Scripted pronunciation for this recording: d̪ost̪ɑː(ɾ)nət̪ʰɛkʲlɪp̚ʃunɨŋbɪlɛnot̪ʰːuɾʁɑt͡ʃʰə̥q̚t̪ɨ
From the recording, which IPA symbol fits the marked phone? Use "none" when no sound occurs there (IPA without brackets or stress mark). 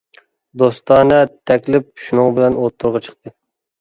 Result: none